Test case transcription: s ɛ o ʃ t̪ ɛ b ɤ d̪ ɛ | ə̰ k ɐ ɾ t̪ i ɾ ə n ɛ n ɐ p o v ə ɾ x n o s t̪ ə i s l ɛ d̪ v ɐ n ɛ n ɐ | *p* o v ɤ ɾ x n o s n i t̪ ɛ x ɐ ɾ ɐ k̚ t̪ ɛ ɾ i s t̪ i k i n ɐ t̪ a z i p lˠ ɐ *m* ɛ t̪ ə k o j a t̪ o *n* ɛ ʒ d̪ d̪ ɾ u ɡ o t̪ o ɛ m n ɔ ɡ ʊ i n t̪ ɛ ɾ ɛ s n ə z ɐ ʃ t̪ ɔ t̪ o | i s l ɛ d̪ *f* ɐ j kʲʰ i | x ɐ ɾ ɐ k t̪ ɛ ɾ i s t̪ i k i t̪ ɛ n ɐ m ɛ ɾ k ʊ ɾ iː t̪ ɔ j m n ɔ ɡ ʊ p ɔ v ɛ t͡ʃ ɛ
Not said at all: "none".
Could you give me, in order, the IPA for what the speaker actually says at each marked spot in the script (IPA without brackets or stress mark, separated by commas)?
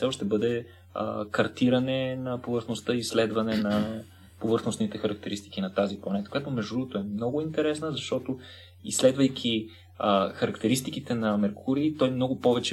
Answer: p, n, m, v